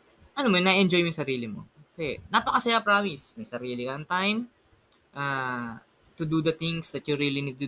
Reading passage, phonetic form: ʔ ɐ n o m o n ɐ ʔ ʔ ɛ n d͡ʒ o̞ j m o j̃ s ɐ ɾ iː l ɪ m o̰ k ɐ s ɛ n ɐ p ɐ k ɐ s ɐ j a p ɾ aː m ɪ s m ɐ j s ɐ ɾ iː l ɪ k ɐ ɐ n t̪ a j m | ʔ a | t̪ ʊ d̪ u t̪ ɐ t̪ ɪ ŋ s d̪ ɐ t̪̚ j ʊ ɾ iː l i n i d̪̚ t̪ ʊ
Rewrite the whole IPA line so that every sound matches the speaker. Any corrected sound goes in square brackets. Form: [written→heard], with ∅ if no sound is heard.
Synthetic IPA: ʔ ɐ n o m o n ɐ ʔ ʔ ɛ n d͡ʒ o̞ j m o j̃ s ɐ ɾ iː l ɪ m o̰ k ɐ s ɛ n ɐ p ɐ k ɐ s ɐ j a p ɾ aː m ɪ s m ɐ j s ɐ ɾ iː l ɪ k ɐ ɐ n t̪ a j m | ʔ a | t̪ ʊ d̪ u [t̪→d̪] ɐ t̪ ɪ ŋ s d̪ ɐ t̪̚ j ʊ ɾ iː l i n i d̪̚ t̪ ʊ